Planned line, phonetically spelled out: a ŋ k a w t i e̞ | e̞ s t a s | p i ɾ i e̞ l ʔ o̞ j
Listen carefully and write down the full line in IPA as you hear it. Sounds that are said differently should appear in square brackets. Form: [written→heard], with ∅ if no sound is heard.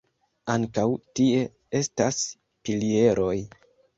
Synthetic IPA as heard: a ŋ k a w t i e̞ | e̞ s t a s | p i [ɾ→l] i e̞ [l→ɾ] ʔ o̞ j